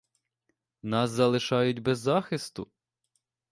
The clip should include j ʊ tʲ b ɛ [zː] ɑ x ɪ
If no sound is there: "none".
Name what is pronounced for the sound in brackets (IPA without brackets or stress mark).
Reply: zː